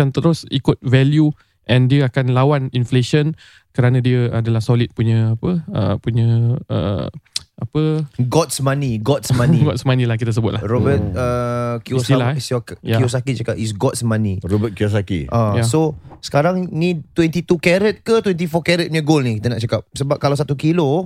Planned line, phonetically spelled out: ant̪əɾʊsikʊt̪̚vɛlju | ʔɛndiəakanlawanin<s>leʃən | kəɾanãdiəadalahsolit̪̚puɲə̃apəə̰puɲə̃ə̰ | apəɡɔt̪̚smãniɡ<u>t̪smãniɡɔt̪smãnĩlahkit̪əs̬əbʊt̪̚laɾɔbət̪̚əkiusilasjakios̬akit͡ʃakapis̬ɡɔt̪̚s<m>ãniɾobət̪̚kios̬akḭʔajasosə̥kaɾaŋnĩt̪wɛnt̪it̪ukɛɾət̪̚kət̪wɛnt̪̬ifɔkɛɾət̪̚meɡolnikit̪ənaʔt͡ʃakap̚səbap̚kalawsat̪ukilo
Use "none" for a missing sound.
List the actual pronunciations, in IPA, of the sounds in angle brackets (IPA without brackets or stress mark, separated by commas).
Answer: f, ɔ, m